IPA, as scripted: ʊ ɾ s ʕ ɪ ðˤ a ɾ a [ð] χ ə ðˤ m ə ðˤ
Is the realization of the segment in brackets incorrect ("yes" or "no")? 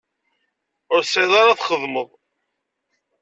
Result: yes